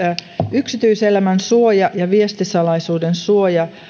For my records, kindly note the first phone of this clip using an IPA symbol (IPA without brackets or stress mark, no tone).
y